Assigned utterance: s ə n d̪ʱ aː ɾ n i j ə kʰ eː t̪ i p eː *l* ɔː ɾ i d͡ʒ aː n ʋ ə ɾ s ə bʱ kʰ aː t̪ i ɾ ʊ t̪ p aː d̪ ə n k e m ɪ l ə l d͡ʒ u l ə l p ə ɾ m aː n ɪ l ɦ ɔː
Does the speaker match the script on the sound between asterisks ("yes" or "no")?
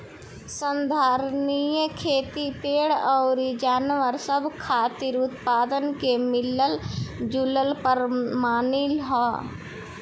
no